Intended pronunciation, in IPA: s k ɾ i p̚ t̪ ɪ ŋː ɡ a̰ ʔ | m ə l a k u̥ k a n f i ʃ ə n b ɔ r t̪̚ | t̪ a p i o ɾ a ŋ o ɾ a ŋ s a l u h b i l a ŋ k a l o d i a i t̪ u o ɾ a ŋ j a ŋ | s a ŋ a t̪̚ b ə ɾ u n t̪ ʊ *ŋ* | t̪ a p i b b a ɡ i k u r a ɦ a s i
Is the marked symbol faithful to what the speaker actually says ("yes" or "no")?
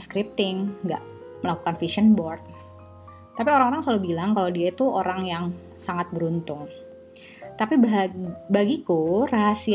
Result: yes